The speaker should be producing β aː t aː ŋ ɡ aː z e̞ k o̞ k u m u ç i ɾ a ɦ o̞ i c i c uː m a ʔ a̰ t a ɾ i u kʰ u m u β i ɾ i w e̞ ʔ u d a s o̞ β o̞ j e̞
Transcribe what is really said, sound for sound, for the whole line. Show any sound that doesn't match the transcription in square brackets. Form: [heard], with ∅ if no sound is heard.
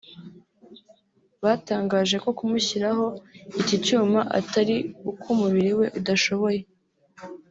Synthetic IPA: β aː t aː ŋ ɡ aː [ʒ] e̞ k o̞ k u m u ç i ɾ a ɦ o̞ i c i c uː m a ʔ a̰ t a ɾ i u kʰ u m u β i ɾ i w e̞ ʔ u d a [ʃ] o̞ β o̞ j e̞